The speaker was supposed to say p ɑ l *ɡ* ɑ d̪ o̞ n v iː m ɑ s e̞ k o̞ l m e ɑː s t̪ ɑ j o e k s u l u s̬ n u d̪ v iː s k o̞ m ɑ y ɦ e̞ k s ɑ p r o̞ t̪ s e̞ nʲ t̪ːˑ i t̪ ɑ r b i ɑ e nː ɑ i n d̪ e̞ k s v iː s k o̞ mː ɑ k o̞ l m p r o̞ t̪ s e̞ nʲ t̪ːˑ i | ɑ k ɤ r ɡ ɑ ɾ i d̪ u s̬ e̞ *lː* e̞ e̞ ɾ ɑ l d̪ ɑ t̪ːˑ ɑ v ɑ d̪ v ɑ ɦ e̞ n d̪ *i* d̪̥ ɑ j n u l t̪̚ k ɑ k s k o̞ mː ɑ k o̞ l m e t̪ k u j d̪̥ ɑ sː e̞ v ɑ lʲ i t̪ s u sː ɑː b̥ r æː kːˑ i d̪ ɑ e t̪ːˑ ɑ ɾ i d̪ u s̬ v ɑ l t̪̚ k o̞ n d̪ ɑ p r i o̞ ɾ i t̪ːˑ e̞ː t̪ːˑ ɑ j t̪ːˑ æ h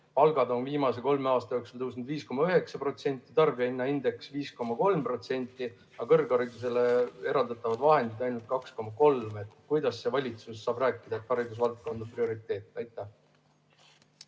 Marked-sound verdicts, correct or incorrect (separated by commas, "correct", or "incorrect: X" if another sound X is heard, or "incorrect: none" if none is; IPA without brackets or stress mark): correct, incorrect: l, correct